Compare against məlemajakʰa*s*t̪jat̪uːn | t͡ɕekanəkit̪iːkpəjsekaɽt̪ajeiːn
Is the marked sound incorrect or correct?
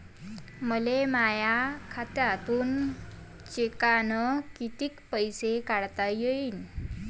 incorrect: none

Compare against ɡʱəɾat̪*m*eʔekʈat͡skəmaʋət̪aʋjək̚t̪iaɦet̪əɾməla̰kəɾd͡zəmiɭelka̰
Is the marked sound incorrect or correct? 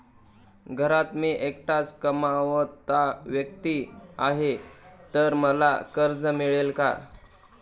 correct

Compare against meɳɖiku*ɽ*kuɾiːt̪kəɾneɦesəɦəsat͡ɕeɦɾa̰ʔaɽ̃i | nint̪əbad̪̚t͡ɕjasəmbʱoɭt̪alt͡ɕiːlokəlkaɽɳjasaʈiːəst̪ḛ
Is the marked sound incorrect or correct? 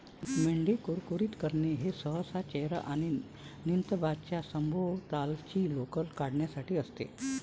incorrect: ɾ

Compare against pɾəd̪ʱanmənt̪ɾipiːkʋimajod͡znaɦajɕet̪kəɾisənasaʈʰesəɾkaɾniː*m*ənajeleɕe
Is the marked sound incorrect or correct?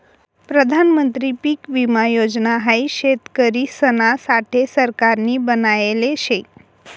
incorrect: b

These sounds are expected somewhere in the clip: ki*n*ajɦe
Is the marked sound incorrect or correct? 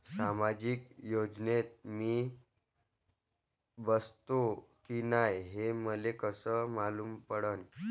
correct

